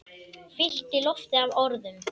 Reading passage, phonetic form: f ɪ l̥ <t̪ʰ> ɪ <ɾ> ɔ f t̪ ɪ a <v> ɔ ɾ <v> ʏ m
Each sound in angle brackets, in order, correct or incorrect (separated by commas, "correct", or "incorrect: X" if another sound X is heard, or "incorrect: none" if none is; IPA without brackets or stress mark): incorrect: t̪, incorrect: l, correct, incorrect: ð